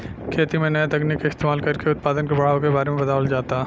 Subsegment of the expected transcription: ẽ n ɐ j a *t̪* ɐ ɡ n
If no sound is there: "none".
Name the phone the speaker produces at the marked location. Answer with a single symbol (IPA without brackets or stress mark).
t̪